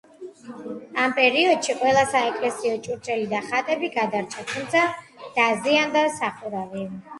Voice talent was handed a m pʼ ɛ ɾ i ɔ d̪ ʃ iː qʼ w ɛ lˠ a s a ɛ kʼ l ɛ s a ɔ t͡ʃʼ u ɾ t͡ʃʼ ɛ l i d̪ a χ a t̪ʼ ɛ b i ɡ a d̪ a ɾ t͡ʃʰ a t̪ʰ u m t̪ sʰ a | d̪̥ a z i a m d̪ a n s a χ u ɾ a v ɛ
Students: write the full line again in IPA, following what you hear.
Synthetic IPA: a m pʼ ɛ ɾ i ɔ d̪ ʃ i qʼ w ɛ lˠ a s a ɛ kʼ l ɛ s i ɔ t͡ʃʼ u ɾ t͡ʃʼ ɛ l i d̪ a χ a t̪ʼ ɛ b i ɡ a d̪ a ɾ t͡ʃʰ a t̪ʰ u m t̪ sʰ a | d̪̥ a z i a n d̪ a s a χ u ɾ a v i